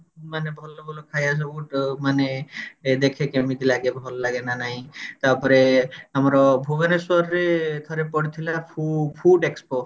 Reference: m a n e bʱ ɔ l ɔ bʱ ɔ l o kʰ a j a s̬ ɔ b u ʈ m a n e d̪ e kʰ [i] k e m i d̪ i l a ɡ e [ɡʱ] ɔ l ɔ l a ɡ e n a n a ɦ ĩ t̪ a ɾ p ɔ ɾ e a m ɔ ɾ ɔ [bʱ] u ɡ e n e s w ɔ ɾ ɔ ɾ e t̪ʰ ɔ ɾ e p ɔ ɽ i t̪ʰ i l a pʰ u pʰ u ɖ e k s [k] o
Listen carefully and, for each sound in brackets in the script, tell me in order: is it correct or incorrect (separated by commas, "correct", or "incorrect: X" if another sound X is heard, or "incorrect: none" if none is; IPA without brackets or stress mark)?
incorrect: e, incorrect: bʱ, correct, incorrect: p